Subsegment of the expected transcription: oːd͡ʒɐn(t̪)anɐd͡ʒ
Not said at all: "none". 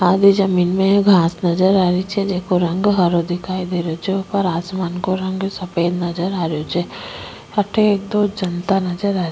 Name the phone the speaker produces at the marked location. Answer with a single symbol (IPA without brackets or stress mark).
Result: t̪